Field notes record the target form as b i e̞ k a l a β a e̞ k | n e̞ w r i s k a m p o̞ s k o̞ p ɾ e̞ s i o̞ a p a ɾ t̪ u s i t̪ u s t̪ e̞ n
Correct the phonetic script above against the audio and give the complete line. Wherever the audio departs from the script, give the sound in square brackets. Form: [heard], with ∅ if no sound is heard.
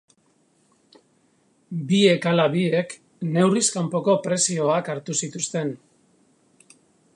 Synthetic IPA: b i e̞ k a l a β [i] e̞ k | n e̞ w r i s k a m p o̞ [∅] k o̞ p ɾ e̞ s i o̞ a [k] a ɾ t̪ u s i t̪ u s t̪ e̞ n